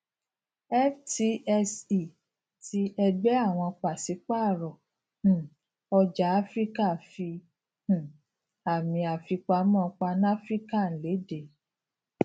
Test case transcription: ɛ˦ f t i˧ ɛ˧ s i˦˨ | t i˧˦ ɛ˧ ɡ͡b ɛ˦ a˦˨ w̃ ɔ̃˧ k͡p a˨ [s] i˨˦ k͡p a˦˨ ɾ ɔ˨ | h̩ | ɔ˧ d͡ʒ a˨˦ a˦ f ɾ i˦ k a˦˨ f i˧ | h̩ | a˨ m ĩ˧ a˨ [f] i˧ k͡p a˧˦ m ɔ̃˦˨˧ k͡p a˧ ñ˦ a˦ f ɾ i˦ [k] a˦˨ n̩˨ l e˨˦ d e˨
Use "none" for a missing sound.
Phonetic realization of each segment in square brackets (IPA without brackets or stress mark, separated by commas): s, f, k